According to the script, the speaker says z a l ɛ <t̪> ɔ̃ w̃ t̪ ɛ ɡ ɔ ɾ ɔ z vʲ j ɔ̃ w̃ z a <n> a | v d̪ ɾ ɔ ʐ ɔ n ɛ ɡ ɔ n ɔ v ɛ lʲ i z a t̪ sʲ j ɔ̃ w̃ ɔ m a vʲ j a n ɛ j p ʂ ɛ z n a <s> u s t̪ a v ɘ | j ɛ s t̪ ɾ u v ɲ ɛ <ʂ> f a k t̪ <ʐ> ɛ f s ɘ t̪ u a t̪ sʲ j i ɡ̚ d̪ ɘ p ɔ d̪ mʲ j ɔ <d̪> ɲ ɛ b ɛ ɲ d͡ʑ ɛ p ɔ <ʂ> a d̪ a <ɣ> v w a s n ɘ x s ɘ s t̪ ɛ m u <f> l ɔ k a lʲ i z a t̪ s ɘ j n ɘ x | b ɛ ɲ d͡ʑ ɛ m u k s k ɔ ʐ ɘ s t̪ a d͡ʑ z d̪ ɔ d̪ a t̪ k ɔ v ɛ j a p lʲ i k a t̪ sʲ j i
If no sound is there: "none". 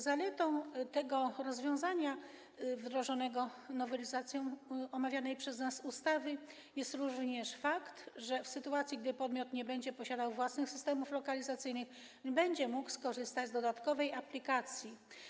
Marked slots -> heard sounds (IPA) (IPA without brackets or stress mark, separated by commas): t̪, ɲ, s, ʂ, ʐ, t̪, ɕ, w, f